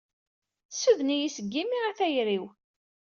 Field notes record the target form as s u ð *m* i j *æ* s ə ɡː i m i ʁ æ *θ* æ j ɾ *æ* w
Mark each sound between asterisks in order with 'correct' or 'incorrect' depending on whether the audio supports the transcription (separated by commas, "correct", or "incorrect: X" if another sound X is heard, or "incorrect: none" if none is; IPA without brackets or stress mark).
incorrect: n, incorrect: i, correct, incorrect: i